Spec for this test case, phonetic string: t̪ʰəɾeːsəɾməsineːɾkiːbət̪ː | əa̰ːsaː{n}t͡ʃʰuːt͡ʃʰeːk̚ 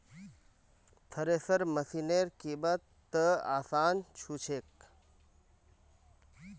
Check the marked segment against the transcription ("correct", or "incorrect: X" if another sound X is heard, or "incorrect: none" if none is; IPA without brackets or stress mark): correct